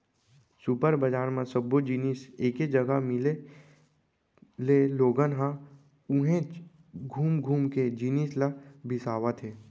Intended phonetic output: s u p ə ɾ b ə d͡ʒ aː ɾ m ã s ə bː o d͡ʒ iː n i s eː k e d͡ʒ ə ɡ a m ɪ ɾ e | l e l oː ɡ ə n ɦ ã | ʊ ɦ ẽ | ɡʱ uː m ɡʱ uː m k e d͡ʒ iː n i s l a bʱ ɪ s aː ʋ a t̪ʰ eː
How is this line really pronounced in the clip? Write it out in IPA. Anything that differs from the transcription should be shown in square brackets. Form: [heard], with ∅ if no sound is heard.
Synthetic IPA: s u p ə ɾ b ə d͡ʒ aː ɾ m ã s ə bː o d͡ʒ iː n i s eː k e d͡ʒ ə ɡ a m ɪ [l] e | l e l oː ɡ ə n ɦ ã | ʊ ɦ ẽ | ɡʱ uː m ɡʱ uː m k e d͡ʒ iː n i s l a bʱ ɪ s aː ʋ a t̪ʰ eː